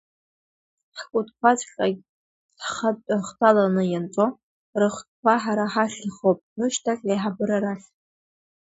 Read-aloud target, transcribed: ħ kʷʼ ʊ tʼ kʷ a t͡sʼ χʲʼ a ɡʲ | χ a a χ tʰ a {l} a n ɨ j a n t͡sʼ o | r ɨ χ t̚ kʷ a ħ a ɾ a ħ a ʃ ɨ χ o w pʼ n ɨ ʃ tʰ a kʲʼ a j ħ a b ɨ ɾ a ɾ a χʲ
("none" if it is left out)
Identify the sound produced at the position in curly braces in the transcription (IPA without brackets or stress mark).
l